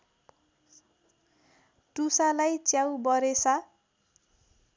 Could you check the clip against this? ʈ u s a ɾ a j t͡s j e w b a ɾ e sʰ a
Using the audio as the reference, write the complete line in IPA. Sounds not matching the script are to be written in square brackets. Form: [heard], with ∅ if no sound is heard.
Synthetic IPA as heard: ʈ u s a [l] a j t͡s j [a] w b [ʌ] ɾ e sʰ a